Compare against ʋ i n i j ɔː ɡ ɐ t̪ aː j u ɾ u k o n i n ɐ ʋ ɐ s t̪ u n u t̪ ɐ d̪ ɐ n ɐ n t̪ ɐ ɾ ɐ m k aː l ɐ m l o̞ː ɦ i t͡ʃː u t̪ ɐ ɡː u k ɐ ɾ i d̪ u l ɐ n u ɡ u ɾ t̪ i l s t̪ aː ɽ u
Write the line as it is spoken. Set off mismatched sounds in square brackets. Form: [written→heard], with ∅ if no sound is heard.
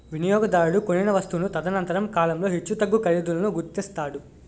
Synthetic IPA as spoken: ʋ i n i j ɔː ɡ ɐ [t̪→d̪] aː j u [ɾ→ɽ] u k o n i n ɐ ʋ ɐ s t̪ u n u t̪ ɐ d̪ ɐ n ɐ n t̪ ɐ ɾ ɐ m k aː l ɐ m l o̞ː ɦ i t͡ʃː u t̪ ɐ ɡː u k ɐ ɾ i d̪ u l ɐ n u ɡ u ɾ t̪ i [l→∅] s t̪ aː ɽ u